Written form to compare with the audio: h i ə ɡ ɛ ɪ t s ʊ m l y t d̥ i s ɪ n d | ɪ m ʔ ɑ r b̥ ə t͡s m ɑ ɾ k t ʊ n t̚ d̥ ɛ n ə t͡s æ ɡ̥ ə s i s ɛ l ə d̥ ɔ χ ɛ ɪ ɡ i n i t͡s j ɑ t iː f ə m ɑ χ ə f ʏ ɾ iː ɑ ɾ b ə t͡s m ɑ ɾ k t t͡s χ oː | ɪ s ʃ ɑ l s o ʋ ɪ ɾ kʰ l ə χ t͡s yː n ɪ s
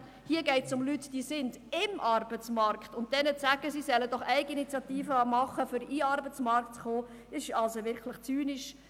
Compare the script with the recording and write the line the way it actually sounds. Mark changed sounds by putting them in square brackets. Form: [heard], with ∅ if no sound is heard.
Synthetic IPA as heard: h i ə ɡ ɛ ɪ t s ʊ m l y t d̥ i s ɪ n d | ɪ m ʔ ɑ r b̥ ə t͡s m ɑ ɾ k t ʊ n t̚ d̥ ɛ n ə t͡s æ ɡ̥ ə s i s ɛ l ə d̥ ɔ χ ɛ ɪ ɡ i n i t͡s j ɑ t iː f ə m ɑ χ ə f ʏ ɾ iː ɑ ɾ b ə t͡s m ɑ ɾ k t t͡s χ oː | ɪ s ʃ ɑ l s o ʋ ɪ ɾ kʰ l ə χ t͡s yː n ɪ [ʃ]